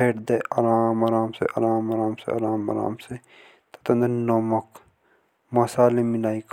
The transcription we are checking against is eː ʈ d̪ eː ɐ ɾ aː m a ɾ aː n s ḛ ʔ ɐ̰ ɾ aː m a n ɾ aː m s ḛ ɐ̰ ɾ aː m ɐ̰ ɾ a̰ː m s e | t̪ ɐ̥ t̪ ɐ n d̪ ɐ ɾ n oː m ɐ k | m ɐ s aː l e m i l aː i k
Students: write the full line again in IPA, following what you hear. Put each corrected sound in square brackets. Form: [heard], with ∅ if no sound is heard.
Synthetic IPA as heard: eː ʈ d̪ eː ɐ ɾ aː m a ɾ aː [m] s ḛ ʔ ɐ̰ ɾ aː m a [∅] ɾ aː m s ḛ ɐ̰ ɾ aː m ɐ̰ ɾ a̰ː m s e | t̪ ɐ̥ t̪ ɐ n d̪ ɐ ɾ n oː m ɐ k | m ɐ s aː l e m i l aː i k